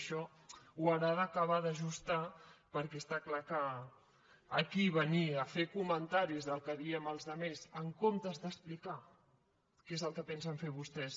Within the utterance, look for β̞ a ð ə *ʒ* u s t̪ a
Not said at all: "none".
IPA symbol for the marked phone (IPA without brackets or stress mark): ʒ